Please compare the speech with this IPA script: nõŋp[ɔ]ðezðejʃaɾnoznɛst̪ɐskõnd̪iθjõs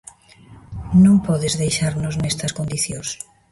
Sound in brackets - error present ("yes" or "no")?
no